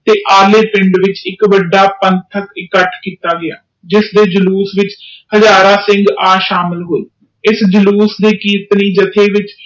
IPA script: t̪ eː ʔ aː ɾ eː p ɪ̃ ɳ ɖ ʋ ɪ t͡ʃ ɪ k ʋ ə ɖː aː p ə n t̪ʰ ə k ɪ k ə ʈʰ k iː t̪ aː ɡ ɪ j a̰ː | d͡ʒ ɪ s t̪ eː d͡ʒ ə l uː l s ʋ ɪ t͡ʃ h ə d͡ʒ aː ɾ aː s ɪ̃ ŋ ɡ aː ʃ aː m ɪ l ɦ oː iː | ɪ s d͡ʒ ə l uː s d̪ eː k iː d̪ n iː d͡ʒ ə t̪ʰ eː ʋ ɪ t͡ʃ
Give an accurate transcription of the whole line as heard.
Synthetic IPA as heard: t̪ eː ʔ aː l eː p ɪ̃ ɳ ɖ ʋ ɪ t͡ʃ ɪ k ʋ ə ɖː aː p ə n t̪ʰ ə k ɪ k ə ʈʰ k iː t̪ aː ɡ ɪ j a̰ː | d͡ʒ ɪ s d̪ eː d͡ʒ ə l uː s ʋ ɪ t͡ʃ h ə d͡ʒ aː ɾ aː s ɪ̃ ŋ ɡ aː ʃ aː m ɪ l ɦ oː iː | ɪ s d͡ʒ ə l uː s d̪ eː k iː t̪ n iː d͡ʒ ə t̪ʰ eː ʋ ɪ t͡ʃ

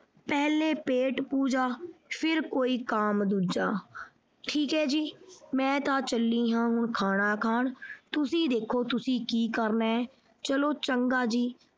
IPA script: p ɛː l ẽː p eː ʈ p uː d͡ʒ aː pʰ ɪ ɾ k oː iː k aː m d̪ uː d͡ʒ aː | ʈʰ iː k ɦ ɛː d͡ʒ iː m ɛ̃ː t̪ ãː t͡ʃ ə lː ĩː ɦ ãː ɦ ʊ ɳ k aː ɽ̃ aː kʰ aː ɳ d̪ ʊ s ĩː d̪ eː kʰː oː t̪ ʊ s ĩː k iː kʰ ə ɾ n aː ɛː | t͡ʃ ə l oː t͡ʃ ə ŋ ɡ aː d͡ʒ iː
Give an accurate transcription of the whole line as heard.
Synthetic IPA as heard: p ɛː l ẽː p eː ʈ p uː d͡ʒ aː pʰ ɪ ɾ k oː iː k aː m d̪ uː d͡ʒ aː | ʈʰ iː k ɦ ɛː d͡ʒ iː m ɛ̃ː t̪ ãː t͡ʃ ə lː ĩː ɦ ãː ɦ ʊ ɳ kʰ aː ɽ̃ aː kʰ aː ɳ t̪ ʊ s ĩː d̪ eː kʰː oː t̪ ʊ s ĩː k iː k ə ɾ n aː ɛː | t͡ʃ ə l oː t͡ʃ ə ŋ ɡ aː d͡ʒ iː

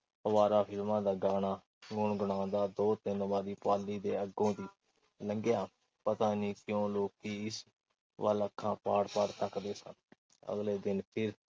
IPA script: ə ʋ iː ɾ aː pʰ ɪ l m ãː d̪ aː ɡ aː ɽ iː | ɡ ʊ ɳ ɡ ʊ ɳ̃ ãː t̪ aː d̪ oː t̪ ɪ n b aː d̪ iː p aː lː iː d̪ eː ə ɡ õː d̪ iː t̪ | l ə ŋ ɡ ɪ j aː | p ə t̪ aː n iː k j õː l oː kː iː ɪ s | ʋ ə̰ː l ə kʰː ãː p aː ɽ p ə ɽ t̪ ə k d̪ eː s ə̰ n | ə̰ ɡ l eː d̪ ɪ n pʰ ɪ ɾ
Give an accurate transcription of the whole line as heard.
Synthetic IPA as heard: ə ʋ aː ɾ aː pʰ ɪ l m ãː d̪ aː ɡ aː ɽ aː | ɡ ʊ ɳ ɡ ʊ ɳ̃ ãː d̪ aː d̪ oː t̪ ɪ n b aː d̪ iː p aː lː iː d̪ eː ə ɡ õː d̪ iː | l ə ŋ ɡ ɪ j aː | p ə t̪ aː n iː k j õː l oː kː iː ɪ s | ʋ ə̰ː l ə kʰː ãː p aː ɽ p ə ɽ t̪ ə k d̪ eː s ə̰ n | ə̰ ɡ l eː d̪ ɪ n pʰ ɪ ɾ

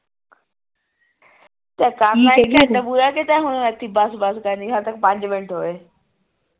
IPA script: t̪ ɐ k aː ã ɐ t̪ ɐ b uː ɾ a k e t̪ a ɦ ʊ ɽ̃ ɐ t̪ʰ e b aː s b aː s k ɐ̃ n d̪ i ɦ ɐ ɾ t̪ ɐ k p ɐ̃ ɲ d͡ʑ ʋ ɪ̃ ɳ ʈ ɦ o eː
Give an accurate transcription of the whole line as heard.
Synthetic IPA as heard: t̪ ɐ k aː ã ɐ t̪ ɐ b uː ɾ a k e t̪ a ɦ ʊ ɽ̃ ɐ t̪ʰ i b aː s b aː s k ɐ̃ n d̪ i ɦ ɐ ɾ t̪ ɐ k p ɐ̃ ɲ d͡ʑ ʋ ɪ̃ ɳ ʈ ɦ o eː

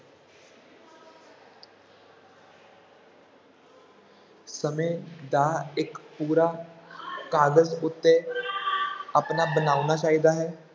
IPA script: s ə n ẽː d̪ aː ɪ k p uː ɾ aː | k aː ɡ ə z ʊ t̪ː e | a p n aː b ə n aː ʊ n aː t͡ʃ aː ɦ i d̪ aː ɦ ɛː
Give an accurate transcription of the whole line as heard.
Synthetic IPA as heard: s ə m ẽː d̪ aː ɪ k p uː ɾ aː | k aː ɡ ə z ʊ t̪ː e | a p n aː b ə n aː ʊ n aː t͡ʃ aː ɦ i d̪ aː ɦ ɛː

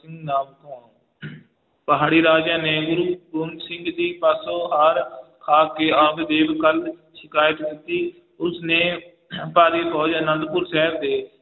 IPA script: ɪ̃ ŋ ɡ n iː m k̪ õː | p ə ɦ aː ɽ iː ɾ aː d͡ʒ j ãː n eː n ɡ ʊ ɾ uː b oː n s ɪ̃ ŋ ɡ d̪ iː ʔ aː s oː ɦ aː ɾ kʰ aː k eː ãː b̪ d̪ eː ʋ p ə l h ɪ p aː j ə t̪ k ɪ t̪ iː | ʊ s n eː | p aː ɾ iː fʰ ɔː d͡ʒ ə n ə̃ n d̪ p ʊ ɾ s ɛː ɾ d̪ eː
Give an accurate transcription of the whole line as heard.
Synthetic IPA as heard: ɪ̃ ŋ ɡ n aː m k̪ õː | p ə ɦ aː ɽ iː ɾ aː d͡ʒ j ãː n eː ɡ ʊ ɾ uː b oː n s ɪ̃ ŋ ɡ d̪ iː p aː s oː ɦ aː ɾ kʰ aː k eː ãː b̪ d̪ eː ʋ k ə l ʃ ɪ k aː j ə t̪ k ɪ t̪ iː | ʊ s n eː | p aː ɾ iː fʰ ɔː d͡ʒ ə n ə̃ n d̪ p ʊ ɾ s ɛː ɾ d̪ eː

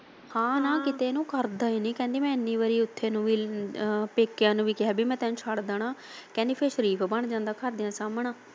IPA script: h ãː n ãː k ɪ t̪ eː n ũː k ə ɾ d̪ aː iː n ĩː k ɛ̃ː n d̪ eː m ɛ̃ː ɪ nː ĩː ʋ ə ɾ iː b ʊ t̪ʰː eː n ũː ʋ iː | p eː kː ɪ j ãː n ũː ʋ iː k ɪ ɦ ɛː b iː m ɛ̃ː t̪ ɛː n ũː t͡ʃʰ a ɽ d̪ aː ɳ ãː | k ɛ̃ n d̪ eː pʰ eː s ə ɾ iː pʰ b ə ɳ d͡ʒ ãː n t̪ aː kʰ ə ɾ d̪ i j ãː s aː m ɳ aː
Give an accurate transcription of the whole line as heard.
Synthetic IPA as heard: h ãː n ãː k ɪ t̪ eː n ũː k ə ɾ d̪ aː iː n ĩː k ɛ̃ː n d̪ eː m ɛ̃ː ɪ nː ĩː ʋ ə ɾ iː ʊ t̪ʰː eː n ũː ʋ iː | p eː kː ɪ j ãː n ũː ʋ iː k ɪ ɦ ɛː b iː m ɛ̃ː t̪ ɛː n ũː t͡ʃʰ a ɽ d̪ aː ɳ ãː | k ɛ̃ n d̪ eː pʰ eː ʃ ə ɾ iː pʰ b ə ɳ d͡ʒ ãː n d̪ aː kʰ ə ɾ d̪ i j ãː s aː m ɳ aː

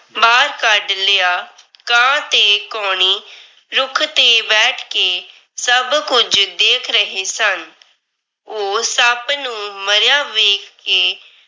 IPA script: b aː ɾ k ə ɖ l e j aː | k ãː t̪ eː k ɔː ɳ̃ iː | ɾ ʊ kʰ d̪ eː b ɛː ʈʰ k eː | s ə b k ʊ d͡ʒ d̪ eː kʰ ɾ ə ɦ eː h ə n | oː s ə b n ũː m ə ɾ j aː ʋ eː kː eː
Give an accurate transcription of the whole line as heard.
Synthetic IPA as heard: b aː ɾ k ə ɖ l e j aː | k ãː t̪ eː k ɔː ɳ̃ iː | ɾ ʊ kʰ t̪ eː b ɛː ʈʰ k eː | s ə b k ʊ d͡ʒ d̪ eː kʰ ɾ ə ɦ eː s ə n | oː s ə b n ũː m ə ɾ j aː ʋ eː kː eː

